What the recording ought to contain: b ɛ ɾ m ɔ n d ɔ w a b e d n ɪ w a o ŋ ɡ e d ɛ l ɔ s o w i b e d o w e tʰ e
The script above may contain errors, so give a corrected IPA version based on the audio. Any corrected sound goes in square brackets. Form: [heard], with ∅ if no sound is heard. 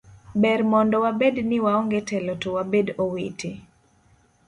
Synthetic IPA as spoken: b ɛ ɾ m ɔ n d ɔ w a b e d n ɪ w a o ŋ ɡ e [t] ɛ l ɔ [t] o w [a] b e d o w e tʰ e